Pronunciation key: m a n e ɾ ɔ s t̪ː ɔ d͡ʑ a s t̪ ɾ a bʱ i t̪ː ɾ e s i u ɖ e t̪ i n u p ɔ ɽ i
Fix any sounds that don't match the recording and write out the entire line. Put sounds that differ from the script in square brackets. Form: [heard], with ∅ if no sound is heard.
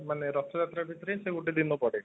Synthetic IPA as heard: m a n e ɾ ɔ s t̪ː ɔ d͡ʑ a [∅] t̪ ɾ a bʱ i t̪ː ɾ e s [e] u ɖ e [d̪] i n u p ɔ ɽ [e]